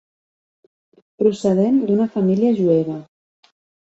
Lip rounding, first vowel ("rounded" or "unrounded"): rounded